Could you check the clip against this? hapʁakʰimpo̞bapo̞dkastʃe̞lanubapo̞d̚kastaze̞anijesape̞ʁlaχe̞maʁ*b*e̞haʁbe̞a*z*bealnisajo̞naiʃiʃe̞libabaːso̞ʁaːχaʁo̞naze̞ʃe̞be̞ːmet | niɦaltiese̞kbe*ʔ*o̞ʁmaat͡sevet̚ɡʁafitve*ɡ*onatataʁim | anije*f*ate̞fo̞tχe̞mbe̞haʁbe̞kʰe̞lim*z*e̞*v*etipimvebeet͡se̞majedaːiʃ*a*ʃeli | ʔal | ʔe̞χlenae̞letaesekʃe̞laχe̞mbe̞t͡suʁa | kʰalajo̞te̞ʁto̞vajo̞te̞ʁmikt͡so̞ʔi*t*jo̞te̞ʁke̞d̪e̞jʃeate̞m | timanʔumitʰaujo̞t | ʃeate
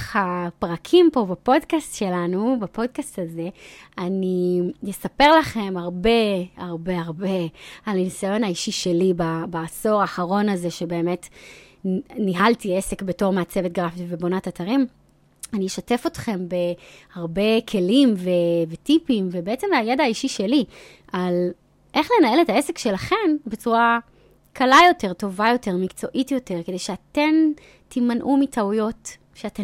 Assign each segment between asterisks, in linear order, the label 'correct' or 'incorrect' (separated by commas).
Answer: correct, incorrect, incorrect, incorrect, incorrect, incorrect, correct, incorrect, correct